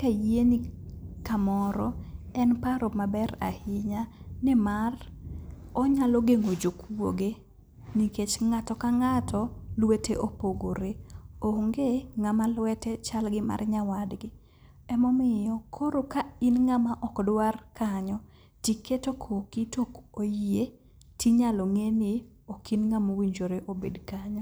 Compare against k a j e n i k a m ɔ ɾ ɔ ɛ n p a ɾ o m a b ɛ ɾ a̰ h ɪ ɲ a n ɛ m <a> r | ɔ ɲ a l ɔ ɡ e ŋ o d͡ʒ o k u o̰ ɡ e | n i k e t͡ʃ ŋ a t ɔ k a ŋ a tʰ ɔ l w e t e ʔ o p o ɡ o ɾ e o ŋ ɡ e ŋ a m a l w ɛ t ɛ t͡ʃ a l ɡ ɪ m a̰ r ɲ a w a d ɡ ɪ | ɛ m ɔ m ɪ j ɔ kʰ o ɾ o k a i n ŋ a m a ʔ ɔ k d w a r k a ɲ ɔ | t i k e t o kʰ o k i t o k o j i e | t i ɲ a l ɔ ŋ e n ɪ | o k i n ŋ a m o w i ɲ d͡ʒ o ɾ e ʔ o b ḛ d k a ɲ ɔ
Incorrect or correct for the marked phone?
correct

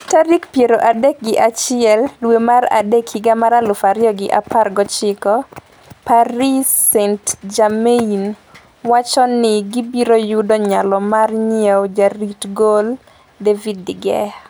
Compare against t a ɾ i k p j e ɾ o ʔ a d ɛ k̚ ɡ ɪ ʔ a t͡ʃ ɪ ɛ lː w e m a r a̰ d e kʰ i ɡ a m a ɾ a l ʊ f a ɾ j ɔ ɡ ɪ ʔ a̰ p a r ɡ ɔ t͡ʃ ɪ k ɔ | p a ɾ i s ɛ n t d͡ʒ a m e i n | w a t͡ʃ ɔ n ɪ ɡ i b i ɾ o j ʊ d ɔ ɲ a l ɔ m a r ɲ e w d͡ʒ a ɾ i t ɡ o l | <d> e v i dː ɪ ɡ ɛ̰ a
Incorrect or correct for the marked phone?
correct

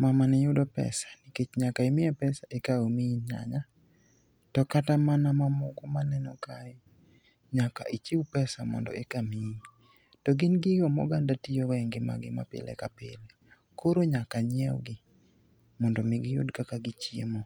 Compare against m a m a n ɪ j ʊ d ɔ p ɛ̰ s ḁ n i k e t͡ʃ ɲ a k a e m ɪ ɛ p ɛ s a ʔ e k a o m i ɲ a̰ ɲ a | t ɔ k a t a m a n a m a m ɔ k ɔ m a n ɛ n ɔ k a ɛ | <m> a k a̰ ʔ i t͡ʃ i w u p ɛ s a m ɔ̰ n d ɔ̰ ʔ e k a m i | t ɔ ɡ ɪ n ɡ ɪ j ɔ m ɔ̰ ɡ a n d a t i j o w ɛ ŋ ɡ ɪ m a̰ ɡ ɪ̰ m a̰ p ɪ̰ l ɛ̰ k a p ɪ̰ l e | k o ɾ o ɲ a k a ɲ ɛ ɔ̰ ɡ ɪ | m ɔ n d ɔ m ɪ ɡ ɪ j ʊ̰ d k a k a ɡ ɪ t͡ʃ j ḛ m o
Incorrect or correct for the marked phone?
incorrect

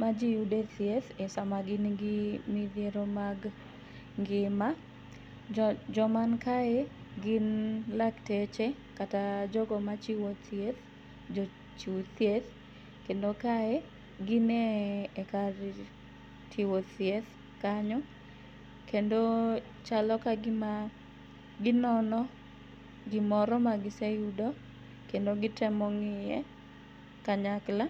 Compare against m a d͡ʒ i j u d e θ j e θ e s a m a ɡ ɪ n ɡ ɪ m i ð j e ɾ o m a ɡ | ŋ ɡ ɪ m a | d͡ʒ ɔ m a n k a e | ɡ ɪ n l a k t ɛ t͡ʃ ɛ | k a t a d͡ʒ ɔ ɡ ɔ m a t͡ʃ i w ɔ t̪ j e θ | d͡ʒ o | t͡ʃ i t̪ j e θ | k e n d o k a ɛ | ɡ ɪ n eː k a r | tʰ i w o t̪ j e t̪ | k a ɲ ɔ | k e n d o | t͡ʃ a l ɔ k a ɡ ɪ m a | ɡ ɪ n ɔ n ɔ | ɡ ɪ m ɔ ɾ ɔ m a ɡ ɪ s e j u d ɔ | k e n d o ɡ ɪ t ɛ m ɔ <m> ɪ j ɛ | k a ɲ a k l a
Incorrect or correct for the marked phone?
incorrect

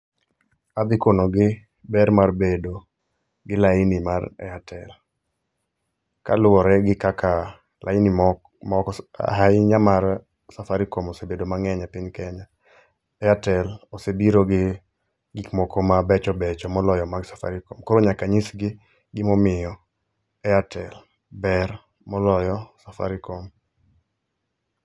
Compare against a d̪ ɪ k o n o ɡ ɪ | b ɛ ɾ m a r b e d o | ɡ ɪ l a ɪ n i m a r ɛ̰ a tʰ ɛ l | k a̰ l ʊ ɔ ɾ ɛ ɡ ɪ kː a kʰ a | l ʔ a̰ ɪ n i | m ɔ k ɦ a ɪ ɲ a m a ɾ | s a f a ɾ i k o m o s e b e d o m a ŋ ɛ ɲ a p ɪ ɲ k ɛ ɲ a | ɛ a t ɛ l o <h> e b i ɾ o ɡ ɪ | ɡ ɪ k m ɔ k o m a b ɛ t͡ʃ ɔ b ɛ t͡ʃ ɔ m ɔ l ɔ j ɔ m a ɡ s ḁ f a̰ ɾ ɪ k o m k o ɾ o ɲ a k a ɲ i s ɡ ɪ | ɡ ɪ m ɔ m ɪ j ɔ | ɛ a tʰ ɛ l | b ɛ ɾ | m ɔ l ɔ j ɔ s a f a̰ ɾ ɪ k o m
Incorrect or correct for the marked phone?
incorrect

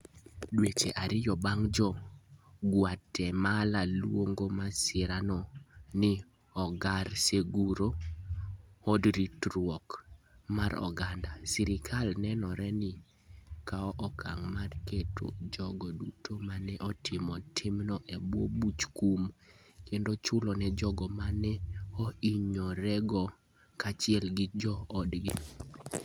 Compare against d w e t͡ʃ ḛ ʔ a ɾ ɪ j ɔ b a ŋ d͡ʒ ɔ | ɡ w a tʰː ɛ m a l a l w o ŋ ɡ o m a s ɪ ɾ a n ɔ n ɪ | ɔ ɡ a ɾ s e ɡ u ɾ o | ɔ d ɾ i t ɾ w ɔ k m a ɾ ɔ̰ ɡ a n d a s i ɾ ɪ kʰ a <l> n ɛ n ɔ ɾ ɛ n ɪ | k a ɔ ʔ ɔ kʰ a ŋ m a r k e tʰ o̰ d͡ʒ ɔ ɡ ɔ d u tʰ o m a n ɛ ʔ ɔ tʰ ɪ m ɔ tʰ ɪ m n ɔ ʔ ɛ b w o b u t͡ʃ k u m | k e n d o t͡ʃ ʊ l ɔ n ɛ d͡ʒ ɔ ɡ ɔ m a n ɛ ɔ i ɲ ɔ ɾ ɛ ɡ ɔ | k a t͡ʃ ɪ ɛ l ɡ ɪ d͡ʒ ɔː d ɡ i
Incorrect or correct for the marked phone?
correct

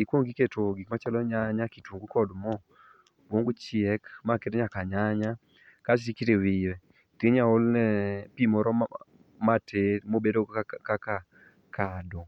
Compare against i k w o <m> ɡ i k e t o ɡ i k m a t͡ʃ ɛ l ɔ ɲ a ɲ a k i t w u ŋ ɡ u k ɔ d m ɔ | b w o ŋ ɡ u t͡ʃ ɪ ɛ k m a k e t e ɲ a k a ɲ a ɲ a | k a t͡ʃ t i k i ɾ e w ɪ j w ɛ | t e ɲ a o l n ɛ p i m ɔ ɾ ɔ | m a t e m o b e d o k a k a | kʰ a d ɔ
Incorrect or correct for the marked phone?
incorrect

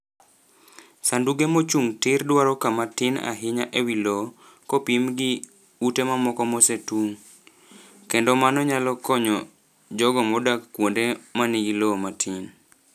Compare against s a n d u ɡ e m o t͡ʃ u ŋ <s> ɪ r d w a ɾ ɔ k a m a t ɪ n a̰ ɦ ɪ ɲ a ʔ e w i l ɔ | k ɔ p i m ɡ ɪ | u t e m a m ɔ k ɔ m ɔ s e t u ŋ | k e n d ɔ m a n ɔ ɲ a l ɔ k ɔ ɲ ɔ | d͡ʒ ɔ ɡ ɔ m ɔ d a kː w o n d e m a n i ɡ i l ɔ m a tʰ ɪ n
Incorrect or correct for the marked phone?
incorrect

